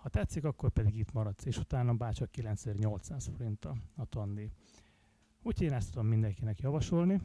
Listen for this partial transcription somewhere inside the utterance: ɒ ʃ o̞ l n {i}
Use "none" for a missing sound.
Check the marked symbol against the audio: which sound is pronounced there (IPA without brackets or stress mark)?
i